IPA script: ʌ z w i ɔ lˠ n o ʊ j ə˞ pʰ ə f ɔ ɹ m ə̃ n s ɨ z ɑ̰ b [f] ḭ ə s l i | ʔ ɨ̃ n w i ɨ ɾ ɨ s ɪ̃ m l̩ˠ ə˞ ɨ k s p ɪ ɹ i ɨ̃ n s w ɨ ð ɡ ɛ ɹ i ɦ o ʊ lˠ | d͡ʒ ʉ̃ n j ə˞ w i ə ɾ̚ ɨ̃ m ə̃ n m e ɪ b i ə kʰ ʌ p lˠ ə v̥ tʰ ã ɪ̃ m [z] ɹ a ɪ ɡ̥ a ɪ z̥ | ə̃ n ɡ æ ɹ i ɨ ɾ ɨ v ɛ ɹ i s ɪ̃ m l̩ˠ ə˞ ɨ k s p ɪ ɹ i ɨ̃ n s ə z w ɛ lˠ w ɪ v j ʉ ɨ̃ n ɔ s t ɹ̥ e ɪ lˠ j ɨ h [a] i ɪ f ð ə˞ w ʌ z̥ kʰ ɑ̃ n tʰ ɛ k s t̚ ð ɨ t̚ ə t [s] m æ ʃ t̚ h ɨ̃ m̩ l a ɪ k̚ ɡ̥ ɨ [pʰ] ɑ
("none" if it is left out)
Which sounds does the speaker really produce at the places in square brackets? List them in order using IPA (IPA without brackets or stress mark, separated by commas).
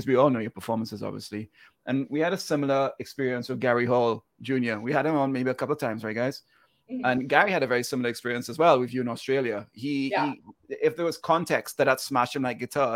v, z, i, s, tʰ